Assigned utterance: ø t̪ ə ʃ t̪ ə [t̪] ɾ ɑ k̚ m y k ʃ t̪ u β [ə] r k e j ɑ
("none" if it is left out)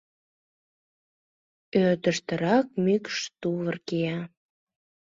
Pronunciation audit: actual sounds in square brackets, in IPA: none, ə

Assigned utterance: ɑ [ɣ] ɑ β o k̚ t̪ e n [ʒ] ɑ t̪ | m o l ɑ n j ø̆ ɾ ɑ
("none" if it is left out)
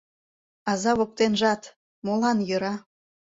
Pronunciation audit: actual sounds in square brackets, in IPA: z, ʒ

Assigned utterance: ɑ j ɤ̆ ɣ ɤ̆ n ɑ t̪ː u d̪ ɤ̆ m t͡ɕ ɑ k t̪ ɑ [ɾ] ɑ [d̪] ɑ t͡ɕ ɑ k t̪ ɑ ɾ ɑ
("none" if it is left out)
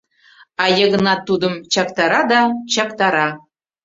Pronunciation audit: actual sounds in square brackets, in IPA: ɾ, d̪

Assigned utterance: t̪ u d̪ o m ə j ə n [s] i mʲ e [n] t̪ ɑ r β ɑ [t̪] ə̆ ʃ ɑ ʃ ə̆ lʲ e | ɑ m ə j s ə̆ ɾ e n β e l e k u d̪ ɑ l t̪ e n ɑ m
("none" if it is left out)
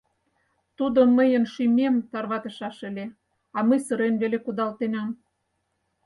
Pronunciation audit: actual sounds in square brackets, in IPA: ʃ, m, t̪

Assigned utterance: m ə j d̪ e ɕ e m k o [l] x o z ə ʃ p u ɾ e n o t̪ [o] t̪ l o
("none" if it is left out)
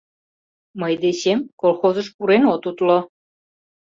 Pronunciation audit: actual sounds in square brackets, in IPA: l, u

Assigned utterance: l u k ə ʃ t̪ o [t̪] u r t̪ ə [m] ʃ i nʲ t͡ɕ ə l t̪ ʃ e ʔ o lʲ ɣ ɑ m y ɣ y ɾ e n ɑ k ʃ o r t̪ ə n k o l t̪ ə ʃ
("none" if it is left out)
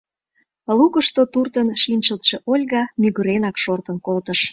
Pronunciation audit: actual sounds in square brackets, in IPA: t̪, n

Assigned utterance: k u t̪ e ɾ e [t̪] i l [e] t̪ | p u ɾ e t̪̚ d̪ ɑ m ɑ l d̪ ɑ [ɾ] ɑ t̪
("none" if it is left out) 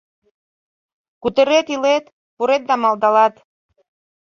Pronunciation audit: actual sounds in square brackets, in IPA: t̪, e, l

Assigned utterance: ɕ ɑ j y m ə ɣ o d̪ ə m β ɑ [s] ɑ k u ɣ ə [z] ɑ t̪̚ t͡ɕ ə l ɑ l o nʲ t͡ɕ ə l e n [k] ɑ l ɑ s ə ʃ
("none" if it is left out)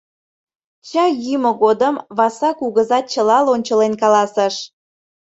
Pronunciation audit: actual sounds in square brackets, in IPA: s, z, k

